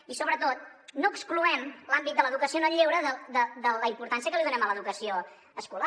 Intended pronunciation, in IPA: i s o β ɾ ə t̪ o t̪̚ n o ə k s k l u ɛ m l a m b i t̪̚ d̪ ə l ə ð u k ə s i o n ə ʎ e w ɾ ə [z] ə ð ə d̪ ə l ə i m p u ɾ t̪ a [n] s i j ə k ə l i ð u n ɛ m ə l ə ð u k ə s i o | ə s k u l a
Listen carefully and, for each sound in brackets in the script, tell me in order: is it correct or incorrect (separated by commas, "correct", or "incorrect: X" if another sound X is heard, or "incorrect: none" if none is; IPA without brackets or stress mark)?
incorrect: ð, correct